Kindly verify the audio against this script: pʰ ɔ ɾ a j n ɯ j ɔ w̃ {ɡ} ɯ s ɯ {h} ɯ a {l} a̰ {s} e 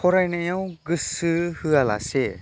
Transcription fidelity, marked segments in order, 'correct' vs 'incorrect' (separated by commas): correct, correct, correct, correct